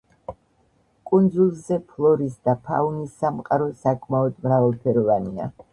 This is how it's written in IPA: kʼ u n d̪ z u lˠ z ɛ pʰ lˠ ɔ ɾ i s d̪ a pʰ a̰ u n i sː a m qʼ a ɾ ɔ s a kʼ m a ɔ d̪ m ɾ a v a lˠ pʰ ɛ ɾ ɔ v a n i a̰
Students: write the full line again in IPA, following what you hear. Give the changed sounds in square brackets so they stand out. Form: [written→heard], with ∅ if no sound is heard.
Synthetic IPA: kʼ u n d̪ z u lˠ z ɛ pʰ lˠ ɔ ɾ i s d̪ a pʰ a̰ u n i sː a m qʼ a ɾ ɔ s a kʼ m a ɔ d̪ m ɾ a v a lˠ pʰ ɛ ɾ ɔ v a n i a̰